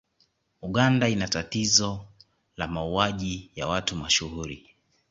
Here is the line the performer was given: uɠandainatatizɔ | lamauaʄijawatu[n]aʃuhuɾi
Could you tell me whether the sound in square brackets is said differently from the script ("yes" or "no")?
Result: yes